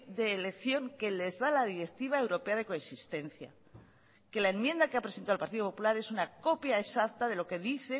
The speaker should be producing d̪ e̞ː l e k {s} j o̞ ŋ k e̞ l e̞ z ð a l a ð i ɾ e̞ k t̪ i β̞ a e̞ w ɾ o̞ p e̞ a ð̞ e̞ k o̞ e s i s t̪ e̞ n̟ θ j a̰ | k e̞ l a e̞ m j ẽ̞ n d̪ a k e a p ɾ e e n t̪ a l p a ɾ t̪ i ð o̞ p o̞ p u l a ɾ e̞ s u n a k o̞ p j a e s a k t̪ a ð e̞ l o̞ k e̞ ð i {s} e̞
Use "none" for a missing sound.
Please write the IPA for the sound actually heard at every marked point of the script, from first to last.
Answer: θ, θ

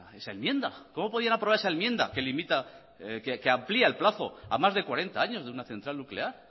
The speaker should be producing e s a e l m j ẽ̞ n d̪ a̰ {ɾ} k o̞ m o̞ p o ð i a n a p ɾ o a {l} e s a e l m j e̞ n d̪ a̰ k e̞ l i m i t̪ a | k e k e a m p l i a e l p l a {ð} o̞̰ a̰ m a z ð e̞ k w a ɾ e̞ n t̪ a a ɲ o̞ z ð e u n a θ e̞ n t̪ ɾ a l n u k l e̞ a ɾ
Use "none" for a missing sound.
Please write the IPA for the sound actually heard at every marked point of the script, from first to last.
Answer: none, ɾ, θ

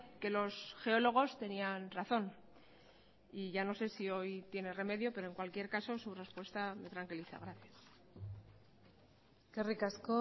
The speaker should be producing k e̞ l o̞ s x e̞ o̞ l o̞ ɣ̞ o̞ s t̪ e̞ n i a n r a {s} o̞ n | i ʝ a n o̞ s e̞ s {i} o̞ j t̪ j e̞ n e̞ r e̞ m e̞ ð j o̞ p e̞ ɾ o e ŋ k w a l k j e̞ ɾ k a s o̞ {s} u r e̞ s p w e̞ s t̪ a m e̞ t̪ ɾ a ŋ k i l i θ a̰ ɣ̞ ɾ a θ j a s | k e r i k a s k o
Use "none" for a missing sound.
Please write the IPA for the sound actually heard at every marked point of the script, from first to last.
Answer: θ, i, s

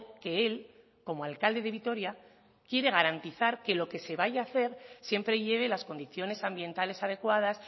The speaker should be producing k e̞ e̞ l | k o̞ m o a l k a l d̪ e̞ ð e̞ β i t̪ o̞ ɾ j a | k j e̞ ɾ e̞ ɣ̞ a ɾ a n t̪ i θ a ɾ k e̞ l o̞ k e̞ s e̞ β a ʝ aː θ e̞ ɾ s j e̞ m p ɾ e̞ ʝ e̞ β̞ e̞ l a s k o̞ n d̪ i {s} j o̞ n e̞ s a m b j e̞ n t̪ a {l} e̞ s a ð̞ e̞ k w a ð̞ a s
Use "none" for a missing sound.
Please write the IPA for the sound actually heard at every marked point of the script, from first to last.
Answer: θ, l

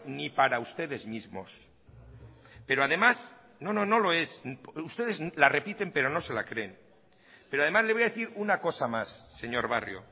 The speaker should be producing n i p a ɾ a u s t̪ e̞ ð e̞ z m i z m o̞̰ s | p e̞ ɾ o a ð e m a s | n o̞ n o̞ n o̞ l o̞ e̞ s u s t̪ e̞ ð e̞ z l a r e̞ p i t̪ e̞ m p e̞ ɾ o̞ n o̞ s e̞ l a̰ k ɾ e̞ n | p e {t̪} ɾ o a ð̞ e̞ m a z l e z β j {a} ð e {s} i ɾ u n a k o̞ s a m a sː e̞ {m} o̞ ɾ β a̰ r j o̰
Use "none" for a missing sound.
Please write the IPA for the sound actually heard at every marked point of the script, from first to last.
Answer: none, a, θ, ɲ

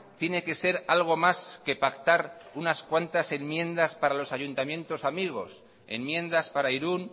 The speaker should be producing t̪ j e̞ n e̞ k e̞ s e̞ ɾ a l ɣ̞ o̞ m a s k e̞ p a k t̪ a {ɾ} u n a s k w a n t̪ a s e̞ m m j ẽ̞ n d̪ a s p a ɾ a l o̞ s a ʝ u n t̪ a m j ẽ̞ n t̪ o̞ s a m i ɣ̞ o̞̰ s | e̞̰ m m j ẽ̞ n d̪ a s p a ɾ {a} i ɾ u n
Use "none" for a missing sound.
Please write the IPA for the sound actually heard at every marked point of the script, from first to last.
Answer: ɾ, a

